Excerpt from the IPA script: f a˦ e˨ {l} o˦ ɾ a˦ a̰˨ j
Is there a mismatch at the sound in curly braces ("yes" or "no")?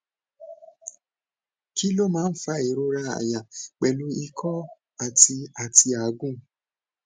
yes